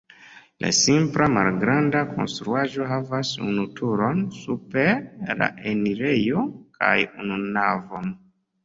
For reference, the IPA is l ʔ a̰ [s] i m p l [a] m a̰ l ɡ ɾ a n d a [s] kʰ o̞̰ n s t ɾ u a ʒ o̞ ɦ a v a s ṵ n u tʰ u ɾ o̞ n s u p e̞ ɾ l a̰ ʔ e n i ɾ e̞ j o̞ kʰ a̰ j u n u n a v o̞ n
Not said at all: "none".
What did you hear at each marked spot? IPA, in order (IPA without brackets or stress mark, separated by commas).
s, a, none